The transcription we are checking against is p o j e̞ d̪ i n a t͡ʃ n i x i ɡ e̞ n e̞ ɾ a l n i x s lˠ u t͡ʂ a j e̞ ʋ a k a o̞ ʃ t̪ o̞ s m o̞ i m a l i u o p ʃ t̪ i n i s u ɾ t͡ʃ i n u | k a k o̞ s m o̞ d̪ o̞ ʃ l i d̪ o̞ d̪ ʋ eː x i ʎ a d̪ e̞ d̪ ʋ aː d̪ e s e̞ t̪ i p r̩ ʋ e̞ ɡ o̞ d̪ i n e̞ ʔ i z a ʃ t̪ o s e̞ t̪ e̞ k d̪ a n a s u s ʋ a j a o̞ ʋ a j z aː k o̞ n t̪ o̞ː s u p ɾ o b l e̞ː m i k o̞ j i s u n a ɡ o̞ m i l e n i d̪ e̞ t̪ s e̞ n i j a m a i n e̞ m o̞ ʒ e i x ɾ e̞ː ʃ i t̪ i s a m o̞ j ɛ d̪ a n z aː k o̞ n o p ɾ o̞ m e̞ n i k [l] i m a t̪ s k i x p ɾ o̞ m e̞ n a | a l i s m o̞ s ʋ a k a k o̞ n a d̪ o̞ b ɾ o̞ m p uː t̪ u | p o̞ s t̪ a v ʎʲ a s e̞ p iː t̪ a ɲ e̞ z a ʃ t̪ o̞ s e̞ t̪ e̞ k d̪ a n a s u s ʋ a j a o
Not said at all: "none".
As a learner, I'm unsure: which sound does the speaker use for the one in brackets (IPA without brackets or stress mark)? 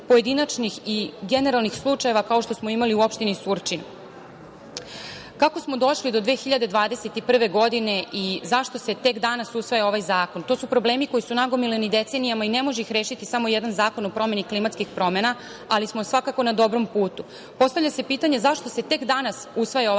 l